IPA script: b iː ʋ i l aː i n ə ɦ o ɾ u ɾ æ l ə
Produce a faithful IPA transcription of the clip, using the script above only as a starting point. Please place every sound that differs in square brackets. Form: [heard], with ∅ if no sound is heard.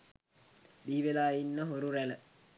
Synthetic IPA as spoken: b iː ʋ [e] l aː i [nː] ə ɦ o ɾ u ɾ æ l ə